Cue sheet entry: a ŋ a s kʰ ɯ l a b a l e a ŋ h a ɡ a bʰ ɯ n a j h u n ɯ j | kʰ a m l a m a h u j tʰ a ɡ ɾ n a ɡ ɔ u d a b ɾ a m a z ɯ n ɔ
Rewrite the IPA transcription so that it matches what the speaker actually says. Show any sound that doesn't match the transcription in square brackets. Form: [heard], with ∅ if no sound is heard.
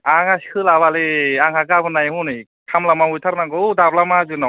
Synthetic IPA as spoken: a ŋ a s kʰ ɯ l a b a l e a ŋ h a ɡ a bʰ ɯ n a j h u n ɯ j | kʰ a m l a m a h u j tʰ a [∅] ɾ n a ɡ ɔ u d a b [l] a m a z ɯ n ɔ